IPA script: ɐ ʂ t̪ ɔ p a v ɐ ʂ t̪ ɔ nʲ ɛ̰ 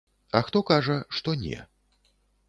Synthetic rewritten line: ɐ x t̪ ɔ k a ʐ ɐ ʂ t̪ ɔ nʲ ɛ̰